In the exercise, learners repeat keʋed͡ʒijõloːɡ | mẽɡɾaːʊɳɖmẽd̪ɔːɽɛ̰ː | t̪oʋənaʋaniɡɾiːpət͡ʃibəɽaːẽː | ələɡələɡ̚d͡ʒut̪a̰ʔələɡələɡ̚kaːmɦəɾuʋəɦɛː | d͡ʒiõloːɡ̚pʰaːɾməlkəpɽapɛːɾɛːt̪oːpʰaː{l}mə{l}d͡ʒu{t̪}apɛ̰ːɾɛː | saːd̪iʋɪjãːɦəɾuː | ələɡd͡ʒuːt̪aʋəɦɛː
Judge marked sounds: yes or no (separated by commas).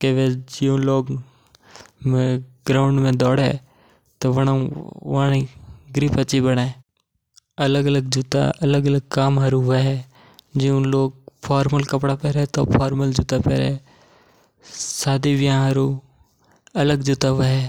no, yes, yes